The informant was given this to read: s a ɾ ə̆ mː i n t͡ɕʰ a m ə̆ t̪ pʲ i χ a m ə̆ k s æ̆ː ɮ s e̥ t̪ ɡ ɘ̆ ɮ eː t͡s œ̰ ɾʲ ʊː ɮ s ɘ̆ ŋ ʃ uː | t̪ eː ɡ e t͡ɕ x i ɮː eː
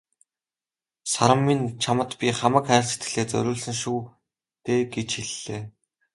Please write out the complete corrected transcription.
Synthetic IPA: s a ɾ ə̆ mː i n t͡ɕʰ a m ə̆ t̪ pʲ i χ a m ə̆ k χ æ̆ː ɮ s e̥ t̪ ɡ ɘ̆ ɮ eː t͡s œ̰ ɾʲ ʊː ɮ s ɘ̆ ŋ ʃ uː | t̪ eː ɡ e t͡ɕ x i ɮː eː